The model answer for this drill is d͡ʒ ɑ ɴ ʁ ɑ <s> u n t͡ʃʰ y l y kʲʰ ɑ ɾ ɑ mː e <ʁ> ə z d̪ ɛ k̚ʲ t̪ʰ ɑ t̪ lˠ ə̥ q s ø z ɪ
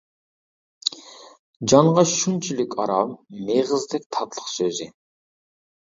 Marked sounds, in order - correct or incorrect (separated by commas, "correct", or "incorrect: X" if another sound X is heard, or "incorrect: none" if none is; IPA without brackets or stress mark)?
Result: incorrect: ʃ, correct